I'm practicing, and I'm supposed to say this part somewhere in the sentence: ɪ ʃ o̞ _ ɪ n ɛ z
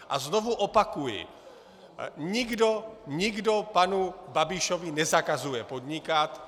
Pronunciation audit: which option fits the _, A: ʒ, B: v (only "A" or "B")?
B